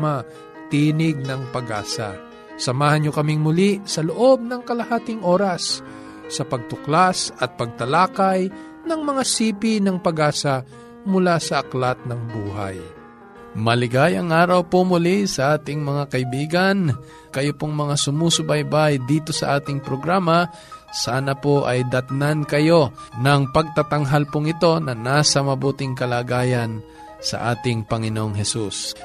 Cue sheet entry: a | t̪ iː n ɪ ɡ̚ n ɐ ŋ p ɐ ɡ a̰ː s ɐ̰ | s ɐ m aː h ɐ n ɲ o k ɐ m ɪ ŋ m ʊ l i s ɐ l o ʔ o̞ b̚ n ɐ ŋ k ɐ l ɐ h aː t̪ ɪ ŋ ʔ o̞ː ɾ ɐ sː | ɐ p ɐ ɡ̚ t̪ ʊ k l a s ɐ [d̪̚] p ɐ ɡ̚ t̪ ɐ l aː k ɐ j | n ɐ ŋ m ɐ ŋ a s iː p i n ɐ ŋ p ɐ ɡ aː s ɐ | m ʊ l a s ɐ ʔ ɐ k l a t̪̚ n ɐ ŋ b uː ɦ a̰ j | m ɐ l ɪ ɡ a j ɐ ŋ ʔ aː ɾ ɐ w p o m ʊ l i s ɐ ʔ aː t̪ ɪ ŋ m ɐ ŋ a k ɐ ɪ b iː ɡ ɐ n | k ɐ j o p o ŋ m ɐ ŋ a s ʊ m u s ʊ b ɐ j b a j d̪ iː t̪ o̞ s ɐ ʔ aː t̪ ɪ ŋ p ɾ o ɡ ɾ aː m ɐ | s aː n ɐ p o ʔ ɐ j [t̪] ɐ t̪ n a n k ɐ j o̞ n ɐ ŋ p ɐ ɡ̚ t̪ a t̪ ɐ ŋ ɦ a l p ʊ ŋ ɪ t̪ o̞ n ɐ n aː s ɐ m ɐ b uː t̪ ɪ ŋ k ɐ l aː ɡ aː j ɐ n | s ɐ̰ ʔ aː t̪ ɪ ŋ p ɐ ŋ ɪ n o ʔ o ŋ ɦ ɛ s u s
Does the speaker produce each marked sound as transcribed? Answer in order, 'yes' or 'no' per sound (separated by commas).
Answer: no, no